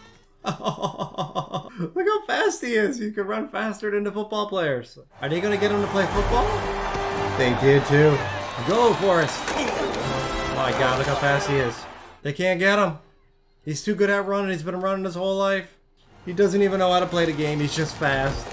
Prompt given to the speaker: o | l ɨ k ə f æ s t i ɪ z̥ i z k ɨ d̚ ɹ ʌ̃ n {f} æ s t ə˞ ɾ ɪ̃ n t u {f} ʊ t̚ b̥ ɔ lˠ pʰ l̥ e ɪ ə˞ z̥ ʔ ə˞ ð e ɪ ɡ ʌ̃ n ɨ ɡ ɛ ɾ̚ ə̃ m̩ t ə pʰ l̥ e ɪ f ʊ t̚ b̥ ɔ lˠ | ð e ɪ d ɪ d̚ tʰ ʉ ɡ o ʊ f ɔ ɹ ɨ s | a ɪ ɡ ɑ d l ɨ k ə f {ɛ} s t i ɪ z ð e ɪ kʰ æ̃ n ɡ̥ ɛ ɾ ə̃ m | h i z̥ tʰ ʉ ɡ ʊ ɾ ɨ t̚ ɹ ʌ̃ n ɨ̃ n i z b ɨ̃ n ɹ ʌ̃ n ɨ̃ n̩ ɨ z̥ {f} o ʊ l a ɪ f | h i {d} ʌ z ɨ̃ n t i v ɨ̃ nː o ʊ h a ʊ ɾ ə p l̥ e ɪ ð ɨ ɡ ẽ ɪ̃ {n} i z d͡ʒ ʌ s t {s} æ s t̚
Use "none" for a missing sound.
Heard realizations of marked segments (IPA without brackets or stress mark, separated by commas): f, f, æ, h, d, m, f